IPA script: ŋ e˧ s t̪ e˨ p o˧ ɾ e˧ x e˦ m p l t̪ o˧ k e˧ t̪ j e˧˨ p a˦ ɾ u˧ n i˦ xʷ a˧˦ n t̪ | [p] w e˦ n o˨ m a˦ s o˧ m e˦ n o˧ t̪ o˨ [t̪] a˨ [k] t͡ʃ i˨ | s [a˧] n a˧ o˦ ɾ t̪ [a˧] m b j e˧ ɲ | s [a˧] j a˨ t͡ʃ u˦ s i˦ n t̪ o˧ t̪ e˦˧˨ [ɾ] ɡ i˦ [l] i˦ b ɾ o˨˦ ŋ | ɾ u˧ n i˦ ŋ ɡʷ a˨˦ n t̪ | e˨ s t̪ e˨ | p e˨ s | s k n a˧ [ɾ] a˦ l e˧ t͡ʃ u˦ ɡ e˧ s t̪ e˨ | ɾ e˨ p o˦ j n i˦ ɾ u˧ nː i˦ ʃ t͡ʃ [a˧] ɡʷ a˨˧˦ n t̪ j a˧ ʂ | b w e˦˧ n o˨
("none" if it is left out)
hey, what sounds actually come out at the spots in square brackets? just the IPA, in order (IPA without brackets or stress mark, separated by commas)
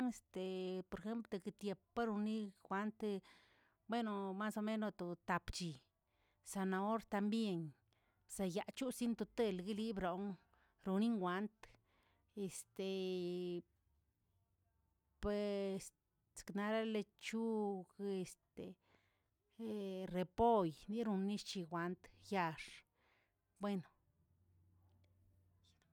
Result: b, t̪, p, a˧, a˧, a˧, l, l, ɾ, i˧